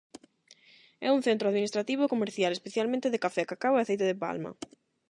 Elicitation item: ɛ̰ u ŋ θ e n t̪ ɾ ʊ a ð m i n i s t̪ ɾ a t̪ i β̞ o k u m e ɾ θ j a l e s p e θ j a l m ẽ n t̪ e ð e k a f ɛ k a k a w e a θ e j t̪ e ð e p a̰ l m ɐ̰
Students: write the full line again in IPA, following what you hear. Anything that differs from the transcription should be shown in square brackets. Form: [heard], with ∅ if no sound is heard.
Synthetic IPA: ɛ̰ u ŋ θ e n t̪ ɾ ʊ a ð m i n i s t̪ ɾ a t̪ i β̞ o k [o] m e ɾ θ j a l e s p e θ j a l m ẽ n t̪ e ð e k a f ɛ k a k a w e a θ e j t̪ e ð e p a̰ l m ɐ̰